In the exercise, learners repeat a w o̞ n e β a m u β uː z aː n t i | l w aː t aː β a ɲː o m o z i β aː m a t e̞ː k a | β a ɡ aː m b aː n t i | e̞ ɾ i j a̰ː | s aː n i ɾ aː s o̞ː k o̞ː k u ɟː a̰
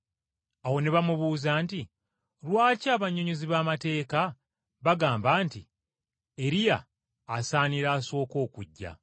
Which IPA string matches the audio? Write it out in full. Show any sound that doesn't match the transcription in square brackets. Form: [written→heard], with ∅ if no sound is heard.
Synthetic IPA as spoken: a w o̞ n e β a m u β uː z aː n t i | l w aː [t→c] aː β a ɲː o [m→ɲ] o z i β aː m a t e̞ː k a | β a ɡ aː m b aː n t i | e̞ ɾ i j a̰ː | s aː n i ɾ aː s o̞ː k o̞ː k u ɟː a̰